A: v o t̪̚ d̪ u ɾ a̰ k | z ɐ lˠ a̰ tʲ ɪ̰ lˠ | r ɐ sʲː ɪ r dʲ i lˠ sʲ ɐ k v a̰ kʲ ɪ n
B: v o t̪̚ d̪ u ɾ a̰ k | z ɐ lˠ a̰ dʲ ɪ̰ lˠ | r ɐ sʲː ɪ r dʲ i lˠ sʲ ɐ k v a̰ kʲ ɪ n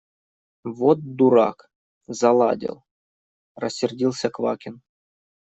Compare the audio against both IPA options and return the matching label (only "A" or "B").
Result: B